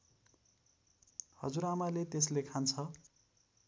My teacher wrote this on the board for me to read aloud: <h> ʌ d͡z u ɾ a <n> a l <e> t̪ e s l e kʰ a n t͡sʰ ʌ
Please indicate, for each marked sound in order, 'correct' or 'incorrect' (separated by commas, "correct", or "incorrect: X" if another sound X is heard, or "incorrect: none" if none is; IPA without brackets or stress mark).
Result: correct, incorrect: m, correct